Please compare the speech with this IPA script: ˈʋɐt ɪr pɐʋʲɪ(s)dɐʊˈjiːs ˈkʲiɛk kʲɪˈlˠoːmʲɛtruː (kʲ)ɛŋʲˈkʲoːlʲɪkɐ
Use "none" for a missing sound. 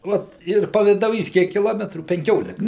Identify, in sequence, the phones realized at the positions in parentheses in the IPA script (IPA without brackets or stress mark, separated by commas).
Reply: none, pʲ